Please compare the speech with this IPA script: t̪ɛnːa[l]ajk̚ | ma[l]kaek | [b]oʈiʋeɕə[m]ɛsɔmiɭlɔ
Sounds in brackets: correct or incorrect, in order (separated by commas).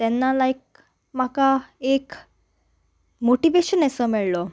correct, incorrect, incorrect, incorrect